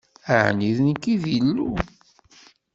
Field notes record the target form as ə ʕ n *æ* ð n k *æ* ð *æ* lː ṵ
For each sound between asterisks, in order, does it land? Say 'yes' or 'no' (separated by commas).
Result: no, no, no